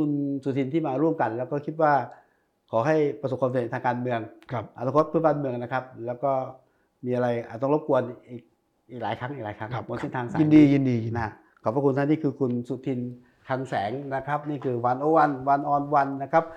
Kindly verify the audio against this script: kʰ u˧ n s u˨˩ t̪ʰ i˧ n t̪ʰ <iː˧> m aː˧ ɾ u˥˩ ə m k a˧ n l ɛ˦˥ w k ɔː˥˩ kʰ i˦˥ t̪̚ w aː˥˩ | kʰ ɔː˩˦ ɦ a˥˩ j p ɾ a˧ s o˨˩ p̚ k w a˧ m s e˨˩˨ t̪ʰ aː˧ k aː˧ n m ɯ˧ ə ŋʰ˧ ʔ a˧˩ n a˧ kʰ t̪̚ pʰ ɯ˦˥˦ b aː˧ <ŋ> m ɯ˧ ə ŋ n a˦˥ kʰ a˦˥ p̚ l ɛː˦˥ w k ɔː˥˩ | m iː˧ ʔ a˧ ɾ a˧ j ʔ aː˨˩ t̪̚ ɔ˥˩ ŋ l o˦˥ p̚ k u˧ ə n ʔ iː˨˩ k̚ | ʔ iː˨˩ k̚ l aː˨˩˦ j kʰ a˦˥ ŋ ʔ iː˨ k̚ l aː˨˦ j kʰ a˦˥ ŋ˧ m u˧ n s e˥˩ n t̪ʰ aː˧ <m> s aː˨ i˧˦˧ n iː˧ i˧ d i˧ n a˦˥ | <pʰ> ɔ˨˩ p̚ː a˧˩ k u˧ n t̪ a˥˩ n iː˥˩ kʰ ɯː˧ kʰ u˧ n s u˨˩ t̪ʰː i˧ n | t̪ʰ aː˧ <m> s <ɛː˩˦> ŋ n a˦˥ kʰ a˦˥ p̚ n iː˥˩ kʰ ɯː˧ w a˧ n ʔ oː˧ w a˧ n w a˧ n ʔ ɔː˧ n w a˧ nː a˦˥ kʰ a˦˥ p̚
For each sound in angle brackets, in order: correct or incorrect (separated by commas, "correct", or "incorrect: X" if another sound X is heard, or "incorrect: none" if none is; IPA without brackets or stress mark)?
incorrect: iː˥˩, incorrect: n, incorrect: ŋ, incorrect: kʰ, incorrect: ŋ, correct